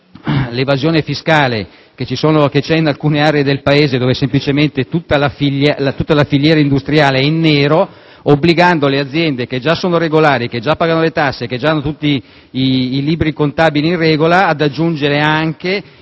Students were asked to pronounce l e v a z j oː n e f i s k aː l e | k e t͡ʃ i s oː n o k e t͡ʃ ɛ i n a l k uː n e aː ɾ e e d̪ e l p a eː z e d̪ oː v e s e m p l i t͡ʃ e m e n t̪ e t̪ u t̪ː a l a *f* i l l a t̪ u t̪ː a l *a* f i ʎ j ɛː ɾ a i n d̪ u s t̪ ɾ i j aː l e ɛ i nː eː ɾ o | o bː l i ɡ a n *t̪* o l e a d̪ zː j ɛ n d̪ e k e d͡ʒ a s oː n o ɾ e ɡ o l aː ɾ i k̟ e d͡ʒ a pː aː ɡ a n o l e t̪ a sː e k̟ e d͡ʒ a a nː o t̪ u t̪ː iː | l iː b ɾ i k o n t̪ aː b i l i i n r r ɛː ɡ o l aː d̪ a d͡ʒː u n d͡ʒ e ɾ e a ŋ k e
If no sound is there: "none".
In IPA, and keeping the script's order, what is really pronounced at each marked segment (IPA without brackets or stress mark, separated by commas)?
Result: f, a, d̪